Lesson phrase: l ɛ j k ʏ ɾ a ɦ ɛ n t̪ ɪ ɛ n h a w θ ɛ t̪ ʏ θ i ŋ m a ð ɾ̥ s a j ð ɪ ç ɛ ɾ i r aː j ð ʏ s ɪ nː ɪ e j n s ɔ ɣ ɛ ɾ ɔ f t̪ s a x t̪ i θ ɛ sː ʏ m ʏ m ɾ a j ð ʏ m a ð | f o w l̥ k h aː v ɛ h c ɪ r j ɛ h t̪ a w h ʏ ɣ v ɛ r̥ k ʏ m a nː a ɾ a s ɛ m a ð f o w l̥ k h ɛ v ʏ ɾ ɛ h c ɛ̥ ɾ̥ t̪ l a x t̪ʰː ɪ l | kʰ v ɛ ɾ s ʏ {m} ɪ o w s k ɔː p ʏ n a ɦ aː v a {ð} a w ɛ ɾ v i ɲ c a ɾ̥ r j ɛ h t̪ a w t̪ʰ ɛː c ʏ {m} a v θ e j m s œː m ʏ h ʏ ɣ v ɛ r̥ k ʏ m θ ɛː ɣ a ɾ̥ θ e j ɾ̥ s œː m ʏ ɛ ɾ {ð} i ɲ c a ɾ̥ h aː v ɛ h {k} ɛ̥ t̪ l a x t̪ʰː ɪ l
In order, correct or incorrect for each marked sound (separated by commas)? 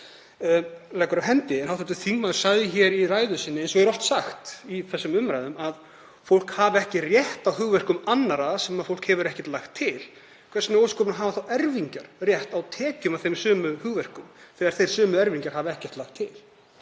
incorrect, incorrect, correct, incorrect, incorrect